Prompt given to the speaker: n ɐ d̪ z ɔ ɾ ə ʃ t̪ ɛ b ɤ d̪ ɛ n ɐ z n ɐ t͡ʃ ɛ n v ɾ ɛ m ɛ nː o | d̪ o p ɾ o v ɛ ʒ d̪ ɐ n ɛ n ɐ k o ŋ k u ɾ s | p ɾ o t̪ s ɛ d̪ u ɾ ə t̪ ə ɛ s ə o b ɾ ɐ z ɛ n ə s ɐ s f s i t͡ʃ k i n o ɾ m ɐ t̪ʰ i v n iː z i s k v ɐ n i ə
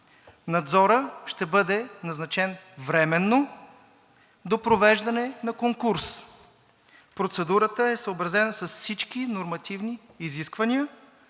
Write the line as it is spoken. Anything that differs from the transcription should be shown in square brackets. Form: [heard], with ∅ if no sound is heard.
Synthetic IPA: n ɐ d̪ z ɔ ɾ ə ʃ t̪ ɛ b ɤ d̪ ɛ n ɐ z n ɐ t͡ʃ ɛ n v ɾ ɛ m ɛ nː o | d̪ o p ɾ o v ɛ ʒ d̪ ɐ n ɛ n ɐ k o ŋ k u ɾ s | p ɾ o t̪ s ɛ d̪ u ɾ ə t̪ ə ɛ s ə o b ɾ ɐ z ɛ n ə s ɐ s f s i t͡ʃ k i n o ɾ m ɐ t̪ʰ i v n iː z i s k v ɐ n i ə